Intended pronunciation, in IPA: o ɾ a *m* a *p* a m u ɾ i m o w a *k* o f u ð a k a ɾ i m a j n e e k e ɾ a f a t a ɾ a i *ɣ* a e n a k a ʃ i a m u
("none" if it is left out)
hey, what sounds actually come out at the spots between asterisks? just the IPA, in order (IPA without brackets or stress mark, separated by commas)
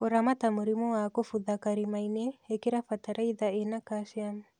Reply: m, t, k, ð